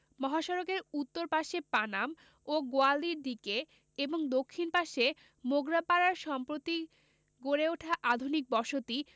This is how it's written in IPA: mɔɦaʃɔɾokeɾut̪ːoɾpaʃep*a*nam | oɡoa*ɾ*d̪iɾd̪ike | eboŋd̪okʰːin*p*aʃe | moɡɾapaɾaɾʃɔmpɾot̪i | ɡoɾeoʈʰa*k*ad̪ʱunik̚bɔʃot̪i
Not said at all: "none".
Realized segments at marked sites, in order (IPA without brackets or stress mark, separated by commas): a, l, p, ʔ